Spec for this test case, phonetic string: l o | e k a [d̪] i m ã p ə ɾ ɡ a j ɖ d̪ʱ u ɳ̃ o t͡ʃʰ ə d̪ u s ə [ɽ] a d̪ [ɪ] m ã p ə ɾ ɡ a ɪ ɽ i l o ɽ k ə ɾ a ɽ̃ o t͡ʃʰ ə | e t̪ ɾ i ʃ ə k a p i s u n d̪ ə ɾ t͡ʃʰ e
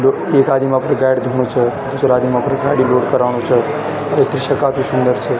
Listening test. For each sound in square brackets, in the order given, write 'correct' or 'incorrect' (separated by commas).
correct, incorrect, incorrect